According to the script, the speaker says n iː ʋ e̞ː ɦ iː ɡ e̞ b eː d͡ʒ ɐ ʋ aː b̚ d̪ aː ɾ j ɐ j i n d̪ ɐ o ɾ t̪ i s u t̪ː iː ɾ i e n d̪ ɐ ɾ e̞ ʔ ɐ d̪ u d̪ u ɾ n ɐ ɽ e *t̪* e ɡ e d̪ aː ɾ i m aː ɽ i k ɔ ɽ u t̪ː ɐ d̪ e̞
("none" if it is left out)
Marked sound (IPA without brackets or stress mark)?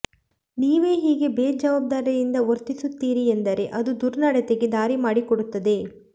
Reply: t̪